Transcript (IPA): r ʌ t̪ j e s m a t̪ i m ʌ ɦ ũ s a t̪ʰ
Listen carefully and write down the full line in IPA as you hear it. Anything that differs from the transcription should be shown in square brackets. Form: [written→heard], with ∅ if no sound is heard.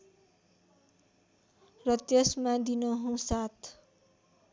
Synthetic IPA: r ʌ t̪ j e s m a [t̪→d̪] i [m→n] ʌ ɦ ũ s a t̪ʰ